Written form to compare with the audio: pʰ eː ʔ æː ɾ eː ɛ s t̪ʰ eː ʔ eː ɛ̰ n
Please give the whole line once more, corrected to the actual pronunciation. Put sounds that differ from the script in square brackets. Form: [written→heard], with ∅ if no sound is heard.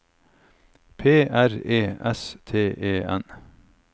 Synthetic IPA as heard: pʰ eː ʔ [æː→æ] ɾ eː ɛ s t̪ʰ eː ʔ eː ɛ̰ n

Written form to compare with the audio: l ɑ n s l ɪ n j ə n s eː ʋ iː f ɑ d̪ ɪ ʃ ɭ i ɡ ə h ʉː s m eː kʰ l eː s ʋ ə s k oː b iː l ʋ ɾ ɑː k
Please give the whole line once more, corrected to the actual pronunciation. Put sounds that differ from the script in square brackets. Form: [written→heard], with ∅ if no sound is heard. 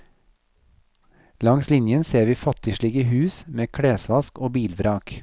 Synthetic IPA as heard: l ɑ [n→ŋ] s l ɪ n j ə n s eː ʋ iː f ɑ [d̪→t̪] ɪ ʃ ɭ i ɡ ə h ʉː s m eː kʰ [l→ɽ] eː s ʋ [ə→ɑ] s k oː b iː l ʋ ɾ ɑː k

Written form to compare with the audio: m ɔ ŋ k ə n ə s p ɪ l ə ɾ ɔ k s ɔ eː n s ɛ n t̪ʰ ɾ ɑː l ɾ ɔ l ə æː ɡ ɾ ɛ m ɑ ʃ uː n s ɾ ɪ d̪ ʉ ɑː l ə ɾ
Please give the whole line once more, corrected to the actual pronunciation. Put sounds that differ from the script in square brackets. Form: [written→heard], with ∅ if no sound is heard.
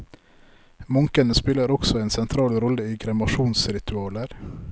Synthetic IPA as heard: m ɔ ŋ k ə n ə s p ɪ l ə ɾ ɔ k s ɔ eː n s ɛ n t̪ʰ ɾ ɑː l ɾ ɔ l ə [æː→iː] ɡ ɾ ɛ m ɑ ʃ uː n s ɾ ɪ [d̪→t̪] ʉ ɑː l ə ɾ

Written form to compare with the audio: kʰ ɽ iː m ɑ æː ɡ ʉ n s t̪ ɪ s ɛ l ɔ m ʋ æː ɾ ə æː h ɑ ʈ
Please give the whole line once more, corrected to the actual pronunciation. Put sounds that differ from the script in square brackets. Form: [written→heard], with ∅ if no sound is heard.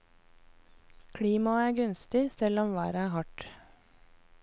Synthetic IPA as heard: kʰ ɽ iː m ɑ æː ɡ ʉ n s t̪ ɪ s ɛ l ɔ m ʋ æː ɾ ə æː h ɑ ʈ

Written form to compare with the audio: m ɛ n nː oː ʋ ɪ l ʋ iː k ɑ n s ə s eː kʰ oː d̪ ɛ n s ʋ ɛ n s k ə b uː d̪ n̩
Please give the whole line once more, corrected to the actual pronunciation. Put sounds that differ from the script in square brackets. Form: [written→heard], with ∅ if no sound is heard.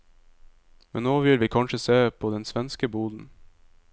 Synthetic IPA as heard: m ɛ n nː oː ʋ ɪ l ʋ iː [k→kʰ] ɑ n [s→ʃ] ə s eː [kʰ→pʰ] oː d̪ ɛ n s ʋ ɛ n s k ə b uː d̪ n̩

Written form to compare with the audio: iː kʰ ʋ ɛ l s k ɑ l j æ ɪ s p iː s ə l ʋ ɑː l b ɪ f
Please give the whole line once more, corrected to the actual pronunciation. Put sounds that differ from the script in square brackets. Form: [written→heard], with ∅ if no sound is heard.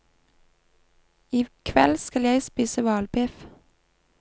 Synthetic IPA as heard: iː kʰ ʋ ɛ l s k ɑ l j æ ɪ s p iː s ə [l→∅] ʋ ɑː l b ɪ f

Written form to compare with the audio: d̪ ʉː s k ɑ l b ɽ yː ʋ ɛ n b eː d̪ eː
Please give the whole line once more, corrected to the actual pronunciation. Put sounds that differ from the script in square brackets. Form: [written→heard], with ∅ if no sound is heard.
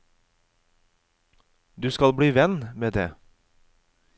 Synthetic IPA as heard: d̪ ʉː s k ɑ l b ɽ [yː→iː] ʋ ɛ n [b→m] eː d̪ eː

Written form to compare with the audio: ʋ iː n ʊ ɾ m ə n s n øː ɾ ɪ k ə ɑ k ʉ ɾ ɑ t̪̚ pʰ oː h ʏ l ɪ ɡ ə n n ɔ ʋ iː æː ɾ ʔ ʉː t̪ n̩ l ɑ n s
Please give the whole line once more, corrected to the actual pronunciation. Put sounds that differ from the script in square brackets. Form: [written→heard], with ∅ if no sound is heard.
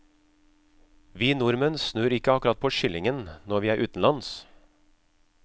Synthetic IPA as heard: ʋ iː n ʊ ɾ m ə n s n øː ɾ ɪ k ə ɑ k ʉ ɾ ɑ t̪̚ pʰ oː [h→ʃ] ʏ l ɪ [ɡ→ŋ] ə n n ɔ ʋ iː æː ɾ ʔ ʉː t̪ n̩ l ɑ n s

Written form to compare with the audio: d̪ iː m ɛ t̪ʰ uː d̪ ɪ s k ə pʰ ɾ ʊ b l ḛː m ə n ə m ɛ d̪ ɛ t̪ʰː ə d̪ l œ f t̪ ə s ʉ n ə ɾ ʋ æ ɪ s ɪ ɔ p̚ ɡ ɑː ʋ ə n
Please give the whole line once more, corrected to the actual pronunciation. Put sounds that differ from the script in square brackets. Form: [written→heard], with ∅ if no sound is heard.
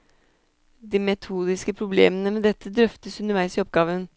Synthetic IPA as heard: d̪ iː m ɛ t̪ʰ uː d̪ ɪ s k ə pʰ ɾ ʊ b l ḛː m ə n ə m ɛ d̪ ɛ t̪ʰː ə d̪ [l→ɾ] œ f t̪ ə s ʉ n ə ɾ ʋ æ ɪ s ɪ ɔ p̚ ɡ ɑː ʋ ə n

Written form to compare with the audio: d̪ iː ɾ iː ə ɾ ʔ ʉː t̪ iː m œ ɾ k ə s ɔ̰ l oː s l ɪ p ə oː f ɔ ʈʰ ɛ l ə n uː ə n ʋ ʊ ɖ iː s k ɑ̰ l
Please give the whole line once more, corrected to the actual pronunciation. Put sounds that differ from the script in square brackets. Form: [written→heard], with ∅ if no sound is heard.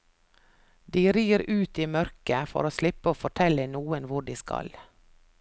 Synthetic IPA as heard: d̪ iː ɾ iː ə ɾ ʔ ʉː t̪ iː m œ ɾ k ə [s→f] ɔ̰ [l→ɾ] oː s l ɪ p ə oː f ɔ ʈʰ ɛ l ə n uː ə n ʋ ʊ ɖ iː s k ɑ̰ l

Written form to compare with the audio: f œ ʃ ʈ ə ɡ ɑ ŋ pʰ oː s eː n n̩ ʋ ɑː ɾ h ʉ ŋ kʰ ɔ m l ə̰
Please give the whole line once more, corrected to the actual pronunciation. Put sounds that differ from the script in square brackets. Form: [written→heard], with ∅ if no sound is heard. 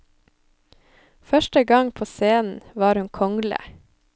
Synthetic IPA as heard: f œ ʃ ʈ ə ɡ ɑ ŋ pʰ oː s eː n n̩ ʋ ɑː ɾ h ʉ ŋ kʰ ɔ [m→ŋ] l ə̰

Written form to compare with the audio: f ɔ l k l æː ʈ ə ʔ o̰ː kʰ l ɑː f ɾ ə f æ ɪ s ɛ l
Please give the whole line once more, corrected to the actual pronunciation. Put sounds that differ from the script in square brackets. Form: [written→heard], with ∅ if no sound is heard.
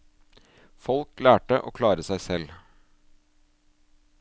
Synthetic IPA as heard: f ɔ l k l æː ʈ ə ʔ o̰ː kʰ l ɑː [f→∅] ɾ ə [f→s] æ ɪ s ɛ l

